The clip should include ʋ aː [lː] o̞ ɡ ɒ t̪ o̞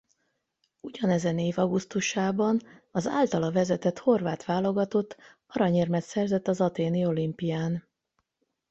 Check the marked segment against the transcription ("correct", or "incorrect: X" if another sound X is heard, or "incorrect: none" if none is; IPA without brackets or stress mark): incorrect: l